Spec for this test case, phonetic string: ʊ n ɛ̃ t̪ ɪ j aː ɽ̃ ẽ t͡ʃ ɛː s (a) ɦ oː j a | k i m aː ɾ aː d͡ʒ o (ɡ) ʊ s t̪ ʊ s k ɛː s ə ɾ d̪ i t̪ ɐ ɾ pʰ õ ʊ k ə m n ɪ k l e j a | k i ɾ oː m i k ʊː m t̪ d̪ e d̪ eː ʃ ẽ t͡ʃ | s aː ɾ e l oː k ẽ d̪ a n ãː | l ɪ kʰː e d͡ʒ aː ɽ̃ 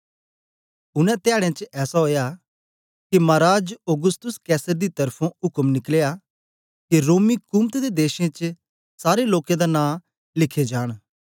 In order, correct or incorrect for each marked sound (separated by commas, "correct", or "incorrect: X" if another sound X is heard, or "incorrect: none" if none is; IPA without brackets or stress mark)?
correct, correct